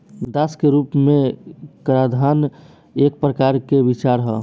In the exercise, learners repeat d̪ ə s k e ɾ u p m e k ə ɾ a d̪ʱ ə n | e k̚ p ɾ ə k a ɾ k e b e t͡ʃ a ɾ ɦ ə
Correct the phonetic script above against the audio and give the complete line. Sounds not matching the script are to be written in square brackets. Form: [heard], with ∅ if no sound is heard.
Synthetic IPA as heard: d̪ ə s k e ɾ u p m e k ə ɾ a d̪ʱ [a] n | e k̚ p ɾ ə k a ɾ k e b [i] t͡ʃ a ɾ ɦ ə